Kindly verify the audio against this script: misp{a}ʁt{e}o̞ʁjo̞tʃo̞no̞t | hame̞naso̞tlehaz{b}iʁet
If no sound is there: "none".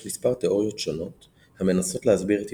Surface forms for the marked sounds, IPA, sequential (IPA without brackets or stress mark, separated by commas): a, e, b